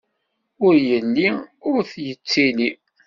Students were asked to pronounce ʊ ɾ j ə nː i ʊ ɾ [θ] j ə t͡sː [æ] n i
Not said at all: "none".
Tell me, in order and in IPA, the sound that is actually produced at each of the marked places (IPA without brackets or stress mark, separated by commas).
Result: θ, i